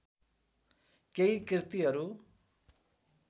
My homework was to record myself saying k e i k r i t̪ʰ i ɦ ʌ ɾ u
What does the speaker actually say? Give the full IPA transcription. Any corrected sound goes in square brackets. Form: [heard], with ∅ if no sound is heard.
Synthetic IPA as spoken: k e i k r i [t̪] i ɦ ʌ ɾ u